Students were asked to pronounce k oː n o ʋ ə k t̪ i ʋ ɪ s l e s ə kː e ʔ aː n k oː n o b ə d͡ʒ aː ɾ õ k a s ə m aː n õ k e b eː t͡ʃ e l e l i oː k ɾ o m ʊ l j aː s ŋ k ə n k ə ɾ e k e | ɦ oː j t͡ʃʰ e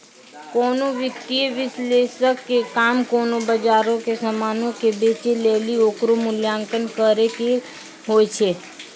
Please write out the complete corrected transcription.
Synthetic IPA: k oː n o ʋ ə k t̪ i ʋ ɪ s l e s ə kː e k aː m k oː n o b ə d͡ʒ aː ɾ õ k e s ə m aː n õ k e b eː t͡ʃ e l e l i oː k ɾ o m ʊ l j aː ŋ k ə n k ə ɾ e k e | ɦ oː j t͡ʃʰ e